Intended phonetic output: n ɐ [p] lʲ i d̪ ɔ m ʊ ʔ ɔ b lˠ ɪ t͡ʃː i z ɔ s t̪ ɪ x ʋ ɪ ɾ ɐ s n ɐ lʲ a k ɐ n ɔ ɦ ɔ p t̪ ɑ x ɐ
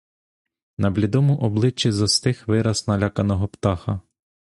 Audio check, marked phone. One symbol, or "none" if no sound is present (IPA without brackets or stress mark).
b